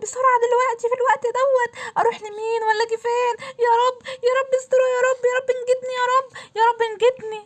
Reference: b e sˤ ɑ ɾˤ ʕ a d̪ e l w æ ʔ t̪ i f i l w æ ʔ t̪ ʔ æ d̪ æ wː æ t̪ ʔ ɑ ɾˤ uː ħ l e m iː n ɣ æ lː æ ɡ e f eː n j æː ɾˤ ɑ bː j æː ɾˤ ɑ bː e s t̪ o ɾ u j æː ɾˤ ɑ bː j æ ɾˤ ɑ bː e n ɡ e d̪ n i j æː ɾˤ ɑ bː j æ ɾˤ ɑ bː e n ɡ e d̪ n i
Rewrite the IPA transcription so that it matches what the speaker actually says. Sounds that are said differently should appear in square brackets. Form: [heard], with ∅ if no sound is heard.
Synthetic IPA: b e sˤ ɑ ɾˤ ʕ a d̪ e l w æ ʔ t̪ i f i l w æ ʔ t̪ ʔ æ d̪ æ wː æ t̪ ʔ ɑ ɾˤ uː ħ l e m iː n [w] æ lː æ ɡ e f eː n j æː ɾˤ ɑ bː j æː ɾˤ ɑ bː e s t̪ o ɾ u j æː ɾˤ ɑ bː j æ ɾˤ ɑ bː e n ɡ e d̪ n i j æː ɾˤ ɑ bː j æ ɾˤ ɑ bː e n ɡ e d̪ n i